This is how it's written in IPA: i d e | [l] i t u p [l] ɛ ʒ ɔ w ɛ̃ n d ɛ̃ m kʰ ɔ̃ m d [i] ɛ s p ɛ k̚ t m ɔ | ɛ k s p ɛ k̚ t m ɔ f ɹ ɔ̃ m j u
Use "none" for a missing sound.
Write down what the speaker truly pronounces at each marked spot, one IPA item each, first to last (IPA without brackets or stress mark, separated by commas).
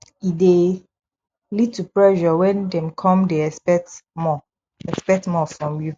l, ɹ, e